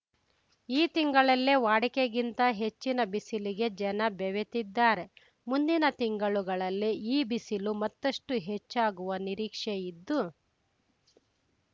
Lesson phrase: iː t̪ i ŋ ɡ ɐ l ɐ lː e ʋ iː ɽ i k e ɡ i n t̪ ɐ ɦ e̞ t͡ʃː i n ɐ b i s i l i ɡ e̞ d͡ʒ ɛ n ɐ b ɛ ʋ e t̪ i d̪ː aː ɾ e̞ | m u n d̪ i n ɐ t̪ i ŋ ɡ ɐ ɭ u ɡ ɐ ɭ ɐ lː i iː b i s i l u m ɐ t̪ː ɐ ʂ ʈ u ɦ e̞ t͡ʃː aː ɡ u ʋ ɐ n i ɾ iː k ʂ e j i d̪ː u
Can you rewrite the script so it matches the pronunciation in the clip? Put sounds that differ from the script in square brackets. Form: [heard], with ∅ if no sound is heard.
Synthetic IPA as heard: iː t̪ i ŋ ɡ ɐ [ɭ] ɐ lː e ʋ [aː] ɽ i k e ɡ i n t̪ ɐ ɦ e̞ t͡ʃː i n ɐ b i s i l i ɡ e̞ d͡ʒ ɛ n ɐ b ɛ ʋ e t̪ i d̪ː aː ɾ e̞ | m u n d̪ i n ɐ t̪ i ŋ ɡ ɐ ɭ u ɡ ɐ ɭ ɐ lː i iː b i s i l u m ɐ t̪ː ɐ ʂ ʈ u ɦ e̞ t͡ʃː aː ɡ u ʋ ɐ n i ɾ iː k ʂ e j i d̪ː u